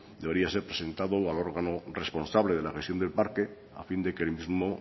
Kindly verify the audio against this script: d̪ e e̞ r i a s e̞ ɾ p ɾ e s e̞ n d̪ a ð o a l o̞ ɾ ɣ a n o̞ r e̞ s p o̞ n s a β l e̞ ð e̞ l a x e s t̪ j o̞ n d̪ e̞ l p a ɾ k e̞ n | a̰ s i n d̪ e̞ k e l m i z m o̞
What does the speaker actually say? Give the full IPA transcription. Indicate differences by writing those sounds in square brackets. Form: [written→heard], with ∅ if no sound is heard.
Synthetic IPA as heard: d̪ e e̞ [r→ɾ] i a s e̞ ɾ p ɾ e s e̞ n [d̪→t̪] a ð o a l o̞ ɾ ɣ a n o̞ r e̞ s p o̞ n s a β l e̞ ð e̞ l a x e s t̪ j o̞ n d̪ e̞ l p a ɾ k e̞ [n→∅] | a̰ [s→f] i n d̪ e̞ k e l m i z m o̞